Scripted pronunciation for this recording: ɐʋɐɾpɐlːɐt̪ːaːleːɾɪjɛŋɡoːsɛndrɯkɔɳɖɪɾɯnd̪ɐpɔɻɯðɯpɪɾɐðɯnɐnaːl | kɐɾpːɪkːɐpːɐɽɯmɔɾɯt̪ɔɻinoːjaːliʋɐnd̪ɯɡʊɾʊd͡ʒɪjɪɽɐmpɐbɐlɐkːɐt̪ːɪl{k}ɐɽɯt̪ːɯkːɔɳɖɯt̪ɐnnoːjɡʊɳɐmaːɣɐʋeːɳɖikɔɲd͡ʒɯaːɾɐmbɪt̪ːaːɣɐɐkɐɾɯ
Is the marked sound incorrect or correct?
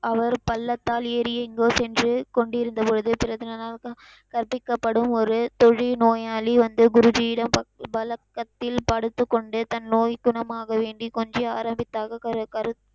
incorrect